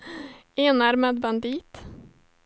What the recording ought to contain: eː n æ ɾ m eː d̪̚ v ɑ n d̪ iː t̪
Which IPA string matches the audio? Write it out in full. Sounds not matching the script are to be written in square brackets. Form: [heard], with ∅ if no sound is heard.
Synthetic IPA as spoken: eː n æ ɾ m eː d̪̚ [b] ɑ n d̪ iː t̪